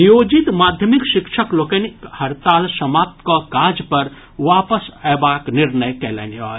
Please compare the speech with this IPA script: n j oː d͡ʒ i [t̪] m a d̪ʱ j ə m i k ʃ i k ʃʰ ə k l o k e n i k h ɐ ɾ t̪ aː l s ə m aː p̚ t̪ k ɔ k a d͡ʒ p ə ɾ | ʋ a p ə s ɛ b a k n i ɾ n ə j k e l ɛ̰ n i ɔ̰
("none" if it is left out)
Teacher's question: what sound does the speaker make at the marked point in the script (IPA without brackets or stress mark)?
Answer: t̪